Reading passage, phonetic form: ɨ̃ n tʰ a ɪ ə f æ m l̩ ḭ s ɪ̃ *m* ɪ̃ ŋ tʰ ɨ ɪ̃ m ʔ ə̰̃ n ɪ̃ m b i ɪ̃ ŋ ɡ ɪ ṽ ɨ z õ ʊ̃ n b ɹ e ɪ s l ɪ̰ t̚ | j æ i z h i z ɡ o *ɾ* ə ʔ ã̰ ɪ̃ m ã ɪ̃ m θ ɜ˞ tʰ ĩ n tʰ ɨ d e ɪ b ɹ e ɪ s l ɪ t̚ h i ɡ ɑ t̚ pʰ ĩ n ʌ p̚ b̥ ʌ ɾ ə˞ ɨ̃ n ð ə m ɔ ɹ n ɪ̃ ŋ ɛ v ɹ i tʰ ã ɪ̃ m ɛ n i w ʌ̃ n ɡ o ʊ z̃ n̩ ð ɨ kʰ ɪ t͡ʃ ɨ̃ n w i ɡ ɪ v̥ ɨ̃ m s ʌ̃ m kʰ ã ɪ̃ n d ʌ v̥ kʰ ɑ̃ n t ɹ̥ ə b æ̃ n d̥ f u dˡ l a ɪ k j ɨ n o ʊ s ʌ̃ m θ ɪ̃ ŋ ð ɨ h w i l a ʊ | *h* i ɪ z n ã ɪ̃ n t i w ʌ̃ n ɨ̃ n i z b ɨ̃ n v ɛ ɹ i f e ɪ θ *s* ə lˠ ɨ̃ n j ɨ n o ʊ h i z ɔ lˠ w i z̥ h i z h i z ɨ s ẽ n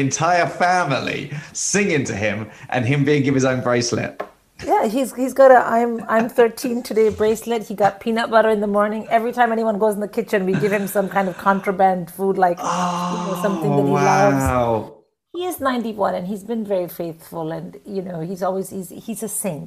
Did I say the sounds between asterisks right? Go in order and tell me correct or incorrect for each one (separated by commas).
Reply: incorrect, correct, correct, incorrect